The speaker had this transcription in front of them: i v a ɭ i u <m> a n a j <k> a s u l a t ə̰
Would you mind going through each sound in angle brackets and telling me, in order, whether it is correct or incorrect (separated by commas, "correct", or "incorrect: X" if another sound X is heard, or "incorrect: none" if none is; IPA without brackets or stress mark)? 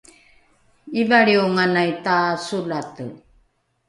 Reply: incorrect: ŋ, incorrect: t